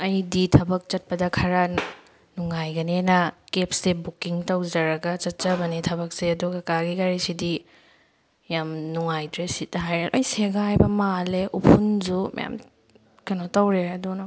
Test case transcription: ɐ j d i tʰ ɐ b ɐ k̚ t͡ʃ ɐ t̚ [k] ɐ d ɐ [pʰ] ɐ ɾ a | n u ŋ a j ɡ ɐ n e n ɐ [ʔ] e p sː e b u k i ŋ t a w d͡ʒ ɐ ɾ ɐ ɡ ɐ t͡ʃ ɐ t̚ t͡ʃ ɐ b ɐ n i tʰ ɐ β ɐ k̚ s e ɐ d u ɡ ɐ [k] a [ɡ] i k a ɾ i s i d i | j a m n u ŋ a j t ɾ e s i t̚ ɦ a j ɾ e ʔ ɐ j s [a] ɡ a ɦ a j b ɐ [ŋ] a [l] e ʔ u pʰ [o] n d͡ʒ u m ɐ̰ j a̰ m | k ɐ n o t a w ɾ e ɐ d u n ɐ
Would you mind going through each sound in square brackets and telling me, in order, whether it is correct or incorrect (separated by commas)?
incorrect, incorrect, incorrect, correct, correct, incorrect, incorrect, correct, incorrect